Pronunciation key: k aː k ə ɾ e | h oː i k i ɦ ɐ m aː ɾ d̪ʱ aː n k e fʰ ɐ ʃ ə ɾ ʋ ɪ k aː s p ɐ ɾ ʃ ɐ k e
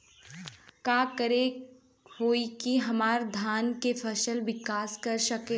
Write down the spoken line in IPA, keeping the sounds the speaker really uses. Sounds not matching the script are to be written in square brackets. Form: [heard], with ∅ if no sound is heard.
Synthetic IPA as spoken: k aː k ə ɾ e | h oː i k i ɦ ɐ m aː ɾ d̪ʱ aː n k e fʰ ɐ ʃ ə [l] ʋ ɪ k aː s [k] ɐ ɾ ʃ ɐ k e